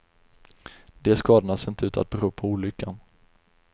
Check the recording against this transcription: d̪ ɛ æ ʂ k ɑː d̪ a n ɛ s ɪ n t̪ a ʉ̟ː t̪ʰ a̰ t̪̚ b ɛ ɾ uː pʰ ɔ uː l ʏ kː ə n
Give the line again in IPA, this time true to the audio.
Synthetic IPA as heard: d̪ ɛ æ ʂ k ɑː d̪ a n a s ɪ n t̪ ə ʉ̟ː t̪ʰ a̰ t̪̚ b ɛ ɾ uː pʰ ɔ uː l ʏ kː a n